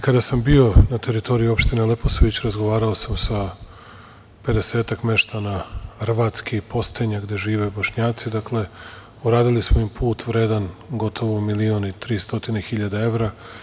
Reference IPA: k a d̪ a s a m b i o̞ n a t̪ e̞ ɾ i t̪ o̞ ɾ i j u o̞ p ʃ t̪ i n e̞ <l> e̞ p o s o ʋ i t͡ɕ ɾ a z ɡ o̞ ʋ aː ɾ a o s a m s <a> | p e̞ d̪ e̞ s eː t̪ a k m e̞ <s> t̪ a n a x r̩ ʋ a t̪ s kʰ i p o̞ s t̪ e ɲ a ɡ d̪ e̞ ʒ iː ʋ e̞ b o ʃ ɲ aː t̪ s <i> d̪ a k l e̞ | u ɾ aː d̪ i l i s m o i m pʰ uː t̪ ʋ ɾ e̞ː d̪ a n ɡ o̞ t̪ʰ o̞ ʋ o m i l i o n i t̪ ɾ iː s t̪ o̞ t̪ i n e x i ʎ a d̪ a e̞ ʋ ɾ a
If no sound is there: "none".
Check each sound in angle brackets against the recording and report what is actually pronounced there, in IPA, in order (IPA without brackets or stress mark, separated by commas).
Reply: l, a, ʃ, i